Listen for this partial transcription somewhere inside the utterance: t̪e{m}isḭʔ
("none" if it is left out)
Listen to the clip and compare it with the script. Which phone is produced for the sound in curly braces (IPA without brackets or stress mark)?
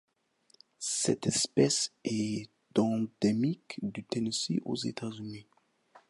n